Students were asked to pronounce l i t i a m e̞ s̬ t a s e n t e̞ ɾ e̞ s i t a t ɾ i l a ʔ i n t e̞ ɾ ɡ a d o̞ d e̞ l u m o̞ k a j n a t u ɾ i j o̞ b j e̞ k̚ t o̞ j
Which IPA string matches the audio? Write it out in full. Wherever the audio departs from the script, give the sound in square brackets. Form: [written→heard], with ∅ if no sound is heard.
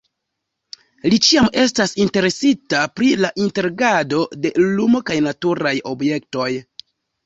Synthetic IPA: l i [t→t͡ʃ] i a m e̞ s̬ t a s [e→i] n t e̞ ɾ e̞ s i t a [t→p] ɾ i l a ʔ i n t e̞ ɾ ɡ a d o̞ d e̞ l u m o̞ k a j n a t u ɾ [i→a] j o̞ b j e̞ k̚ t o̞ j